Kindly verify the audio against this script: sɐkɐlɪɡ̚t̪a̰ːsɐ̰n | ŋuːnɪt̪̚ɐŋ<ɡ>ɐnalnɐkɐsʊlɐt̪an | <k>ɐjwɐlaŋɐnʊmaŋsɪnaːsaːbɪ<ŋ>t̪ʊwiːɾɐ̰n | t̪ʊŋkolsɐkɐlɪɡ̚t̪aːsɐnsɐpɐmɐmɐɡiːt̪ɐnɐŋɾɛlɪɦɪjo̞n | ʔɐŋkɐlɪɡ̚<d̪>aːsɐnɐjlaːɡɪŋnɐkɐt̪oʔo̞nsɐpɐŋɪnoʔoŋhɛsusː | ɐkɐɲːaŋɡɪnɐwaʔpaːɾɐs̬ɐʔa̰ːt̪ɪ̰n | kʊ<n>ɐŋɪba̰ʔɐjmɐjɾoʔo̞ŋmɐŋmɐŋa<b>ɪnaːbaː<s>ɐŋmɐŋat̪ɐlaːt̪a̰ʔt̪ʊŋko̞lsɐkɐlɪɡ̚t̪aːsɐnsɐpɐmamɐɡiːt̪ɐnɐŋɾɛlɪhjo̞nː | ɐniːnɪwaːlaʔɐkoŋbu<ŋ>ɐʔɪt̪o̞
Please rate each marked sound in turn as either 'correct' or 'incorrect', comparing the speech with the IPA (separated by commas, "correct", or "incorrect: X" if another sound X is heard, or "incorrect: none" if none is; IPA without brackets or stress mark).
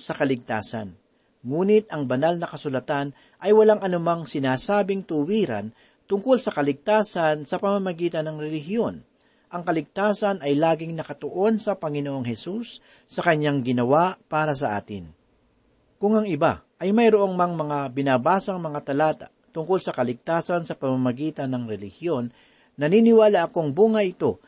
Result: incorrect: b, incorrect: ʔ, correct, incorrect: t̪, incorrect: ŋ, correct, correct, correct